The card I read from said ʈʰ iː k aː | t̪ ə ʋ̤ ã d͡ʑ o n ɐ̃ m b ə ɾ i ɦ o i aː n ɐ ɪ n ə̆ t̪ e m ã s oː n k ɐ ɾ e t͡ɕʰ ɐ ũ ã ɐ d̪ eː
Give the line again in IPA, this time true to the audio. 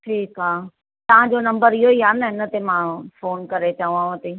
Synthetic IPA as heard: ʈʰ iː k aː | t̪ ɐ ʋ̤ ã d͡ʑ o n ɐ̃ m b ə ɾ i ɦ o i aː n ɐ ɪ n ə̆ t̪ e m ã f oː n k ɐ ɾ e t͡ɕ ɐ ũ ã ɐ t̪ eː